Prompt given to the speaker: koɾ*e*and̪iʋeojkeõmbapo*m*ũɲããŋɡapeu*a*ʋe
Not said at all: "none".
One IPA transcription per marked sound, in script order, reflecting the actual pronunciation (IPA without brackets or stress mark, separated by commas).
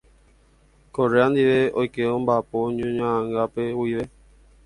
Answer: e, ɲ, i